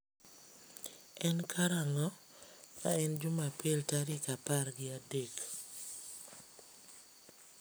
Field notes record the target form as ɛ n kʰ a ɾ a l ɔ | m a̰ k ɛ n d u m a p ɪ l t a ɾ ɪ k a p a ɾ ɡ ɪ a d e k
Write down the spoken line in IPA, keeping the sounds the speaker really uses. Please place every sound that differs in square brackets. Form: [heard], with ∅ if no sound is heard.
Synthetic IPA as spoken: ɛ n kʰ a ɾ a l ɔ | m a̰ [∅] ɛ n [d͡ʒ] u m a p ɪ l t a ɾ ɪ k a p a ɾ ɡ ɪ a d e k